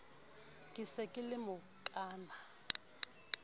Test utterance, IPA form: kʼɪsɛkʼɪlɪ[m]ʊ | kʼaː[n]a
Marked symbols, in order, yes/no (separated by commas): yes, yes